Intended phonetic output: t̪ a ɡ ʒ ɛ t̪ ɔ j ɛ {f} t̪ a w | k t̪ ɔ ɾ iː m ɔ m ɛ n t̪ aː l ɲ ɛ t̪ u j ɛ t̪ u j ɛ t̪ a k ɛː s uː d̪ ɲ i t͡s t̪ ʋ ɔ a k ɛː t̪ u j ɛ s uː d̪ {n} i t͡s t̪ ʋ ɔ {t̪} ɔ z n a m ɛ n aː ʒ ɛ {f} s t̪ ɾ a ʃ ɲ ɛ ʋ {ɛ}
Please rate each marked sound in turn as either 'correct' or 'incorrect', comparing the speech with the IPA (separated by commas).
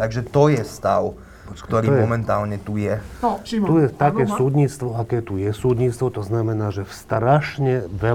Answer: incorrect, incorrect, correct, correct, correct